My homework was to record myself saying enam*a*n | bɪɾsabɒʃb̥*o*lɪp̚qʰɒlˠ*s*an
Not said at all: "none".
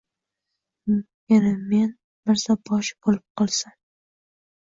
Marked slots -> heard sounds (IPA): e, o, s

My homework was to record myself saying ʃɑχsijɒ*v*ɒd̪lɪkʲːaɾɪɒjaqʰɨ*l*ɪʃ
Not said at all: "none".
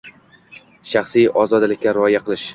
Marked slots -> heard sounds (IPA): z, l

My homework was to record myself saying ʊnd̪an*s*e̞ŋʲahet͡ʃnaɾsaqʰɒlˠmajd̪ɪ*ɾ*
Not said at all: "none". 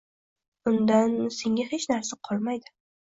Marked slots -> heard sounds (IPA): s, none

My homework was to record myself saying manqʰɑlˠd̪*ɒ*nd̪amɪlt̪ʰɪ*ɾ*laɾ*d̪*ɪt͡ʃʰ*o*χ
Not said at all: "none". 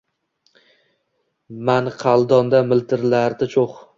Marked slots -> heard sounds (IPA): ɒ, ɾ, d̪, o

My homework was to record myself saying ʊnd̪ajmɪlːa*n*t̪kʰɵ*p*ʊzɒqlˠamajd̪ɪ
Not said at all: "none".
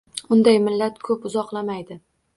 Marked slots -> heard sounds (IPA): none, p

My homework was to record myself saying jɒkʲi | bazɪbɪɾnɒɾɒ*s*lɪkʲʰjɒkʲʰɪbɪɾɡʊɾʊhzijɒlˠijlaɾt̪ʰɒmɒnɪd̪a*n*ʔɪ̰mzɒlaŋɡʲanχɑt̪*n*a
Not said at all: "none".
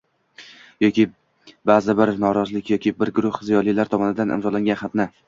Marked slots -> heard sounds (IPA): z, n, n

